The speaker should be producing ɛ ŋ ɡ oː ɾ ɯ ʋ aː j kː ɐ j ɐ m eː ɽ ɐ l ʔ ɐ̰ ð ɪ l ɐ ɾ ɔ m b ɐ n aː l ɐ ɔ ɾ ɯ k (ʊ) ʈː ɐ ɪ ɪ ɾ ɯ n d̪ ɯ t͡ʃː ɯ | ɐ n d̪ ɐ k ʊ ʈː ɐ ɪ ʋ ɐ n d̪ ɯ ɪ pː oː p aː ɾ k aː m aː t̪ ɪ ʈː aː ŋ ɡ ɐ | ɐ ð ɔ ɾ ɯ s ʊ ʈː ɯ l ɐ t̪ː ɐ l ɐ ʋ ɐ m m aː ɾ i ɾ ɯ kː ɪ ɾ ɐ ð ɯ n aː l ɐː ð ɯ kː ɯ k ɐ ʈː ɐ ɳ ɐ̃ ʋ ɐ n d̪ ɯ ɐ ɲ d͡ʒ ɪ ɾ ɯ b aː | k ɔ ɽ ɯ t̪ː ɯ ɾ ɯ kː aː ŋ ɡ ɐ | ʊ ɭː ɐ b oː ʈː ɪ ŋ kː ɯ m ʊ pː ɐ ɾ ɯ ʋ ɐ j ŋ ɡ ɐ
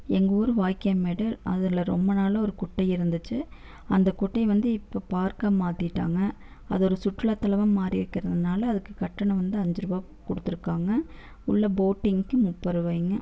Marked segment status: correct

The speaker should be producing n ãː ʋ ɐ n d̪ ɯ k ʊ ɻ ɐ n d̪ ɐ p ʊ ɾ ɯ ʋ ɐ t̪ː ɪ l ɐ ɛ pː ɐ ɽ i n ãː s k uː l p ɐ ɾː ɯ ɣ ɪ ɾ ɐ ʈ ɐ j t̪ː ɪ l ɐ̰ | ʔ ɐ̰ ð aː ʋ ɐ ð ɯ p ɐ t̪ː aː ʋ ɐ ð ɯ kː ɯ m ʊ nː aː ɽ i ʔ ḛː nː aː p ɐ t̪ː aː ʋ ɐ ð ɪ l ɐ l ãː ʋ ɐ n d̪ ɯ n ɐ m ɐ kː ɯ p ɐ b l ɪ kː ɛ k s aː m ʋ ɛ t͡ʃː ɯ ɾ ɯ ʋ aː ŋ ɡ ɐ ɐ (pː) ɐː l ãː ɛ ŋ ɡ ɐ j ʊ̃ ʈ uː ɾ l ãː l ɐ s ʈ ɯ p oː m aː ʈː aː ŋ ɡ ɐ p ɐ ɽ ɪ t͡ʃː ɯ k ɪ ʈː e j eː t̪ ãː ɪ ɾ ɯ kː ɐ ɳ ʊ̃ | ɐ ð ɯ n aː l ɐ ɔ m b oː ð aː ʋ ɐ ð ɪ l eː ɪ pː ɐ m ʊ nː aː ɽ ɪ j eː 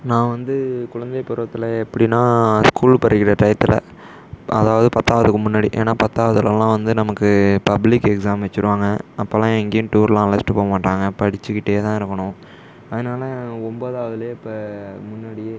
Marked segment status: correct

